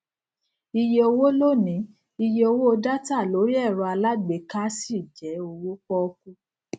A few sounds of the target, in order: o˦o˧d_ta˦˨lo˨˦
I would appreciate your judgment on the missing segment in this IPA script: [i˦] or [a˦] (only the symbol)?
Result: a˦